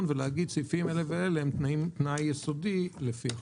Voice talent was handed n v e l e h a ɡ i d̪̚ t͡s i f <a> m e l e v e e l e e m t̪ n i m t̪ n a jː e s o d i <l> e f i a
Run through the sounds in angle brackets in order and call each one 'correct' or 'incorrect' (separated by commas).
incorrect, correct